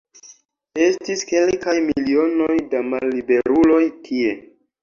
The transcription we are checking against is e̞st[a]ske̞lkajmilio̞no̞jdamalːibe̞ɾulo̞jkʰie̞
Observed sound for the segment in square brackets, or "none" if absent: i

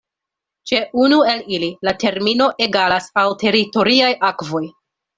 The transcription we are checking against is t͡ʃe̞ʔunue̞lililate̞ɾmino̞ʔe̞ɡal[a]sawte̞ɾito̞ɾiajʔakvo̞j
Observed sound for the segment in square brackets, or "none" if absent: a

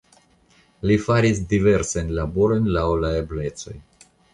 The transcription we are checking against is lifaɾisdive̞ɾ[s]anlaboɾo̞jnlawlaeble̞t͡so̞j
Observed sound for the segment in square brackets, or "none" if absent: s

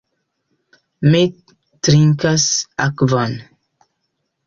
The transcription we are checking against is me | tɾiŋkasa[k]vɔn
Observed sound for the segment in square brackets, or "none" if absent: k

